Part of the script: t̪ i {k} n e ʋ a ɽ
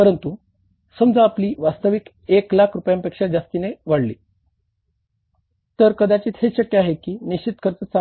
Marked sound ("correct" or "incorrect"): incorrect